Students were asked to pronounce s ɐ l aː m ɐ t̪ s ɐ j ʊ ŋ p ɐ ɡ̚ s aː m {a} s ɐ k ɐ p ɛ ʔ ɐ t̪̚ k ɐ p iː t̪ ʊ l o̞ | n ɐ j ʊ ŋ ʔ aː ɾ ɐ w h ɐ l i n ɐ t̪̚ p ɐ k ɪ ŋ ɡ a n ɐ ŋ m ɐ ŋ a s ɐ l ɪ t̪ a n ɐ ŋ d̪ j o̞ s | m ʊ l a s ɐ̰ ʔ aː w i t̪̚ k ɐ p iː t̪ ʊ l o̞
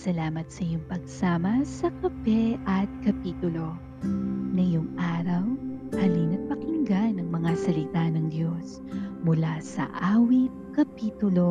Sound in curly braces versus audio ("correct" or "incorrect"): incorrect